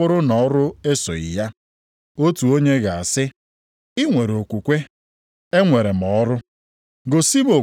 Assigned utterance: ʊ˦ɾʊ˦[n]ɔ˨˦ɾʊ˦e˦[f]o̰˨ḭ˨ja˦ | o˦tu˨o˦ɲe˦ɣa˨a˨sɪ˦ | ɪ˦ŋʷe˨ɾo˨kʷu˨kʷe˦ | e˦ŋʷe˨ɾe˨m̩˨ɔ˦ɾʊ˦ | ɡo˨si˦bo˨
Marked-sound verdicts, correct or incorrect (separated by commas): correct, incorrect